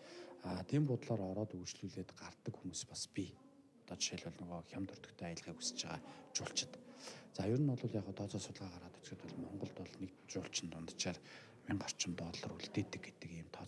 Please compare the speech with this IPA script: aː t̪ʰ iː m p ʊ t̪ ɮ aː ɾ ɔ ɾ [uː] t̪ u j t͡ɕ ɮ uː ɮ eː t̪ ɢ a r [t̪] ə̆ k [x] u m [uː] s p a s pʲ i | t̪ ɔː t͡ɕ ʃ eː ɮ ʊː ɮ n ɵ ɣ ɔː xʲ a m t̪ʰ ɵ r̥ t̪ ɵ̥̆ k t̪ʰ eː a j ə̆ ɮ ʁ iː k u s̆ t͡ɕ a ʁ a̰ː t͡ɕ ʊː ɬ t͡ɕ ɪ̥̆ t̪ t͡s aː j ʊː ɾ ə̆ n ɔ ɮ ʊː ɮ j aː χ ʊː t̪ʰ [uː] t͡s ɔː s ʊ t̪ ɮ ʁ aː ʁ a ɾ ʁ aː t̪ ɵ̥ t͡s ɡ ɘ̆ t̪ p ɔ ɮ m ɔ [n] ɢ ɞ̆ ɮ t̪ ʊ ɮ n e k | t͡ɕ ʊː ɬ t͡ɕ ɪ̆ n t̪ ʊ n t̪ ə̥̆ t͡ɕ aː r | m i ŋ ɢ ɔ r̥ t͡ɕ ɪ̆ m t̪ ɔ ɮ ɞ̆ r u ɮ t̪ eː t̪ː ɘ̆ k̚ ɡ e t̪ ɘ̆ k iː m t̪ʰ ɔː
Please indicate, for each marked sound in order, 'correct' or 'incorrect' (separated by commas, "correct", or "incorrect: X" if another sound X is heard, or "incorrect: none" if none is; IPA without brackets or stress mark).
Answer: incorrect: ɔː, correct, correct, correct, incorrect: ɔː, incorrect: ɴ